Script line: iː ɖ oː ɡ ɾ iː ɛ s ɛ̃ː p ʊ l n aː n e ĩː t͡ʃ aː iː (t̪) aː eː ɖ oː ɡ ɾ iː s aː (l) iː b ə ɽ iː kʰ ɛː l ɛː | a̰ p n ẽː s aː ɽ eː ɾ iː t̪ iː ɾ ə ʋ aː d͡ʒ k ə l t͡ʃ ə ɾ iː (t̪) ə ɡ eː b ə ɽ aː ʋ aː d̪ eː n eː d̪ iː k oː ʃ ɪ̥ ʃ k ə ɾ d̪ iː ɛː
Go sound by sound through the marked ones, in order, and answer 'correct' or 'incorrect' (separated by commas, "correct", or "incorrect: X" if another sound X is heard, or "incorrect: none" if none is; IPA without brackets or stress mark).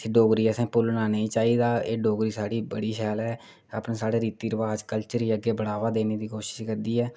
incorrect: d̪, incorrect: ɽ, incorrect: none